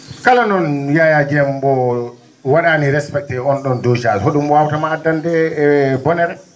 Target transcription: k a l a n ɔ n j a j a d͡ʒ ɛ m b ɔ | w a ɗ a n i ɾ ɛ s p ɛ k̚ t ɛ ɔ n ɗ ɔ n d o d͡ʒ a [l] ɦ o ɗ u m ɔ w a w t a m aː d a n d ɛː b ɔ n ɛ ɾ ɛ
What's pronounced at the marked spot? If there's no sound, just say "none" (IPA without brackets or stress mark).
l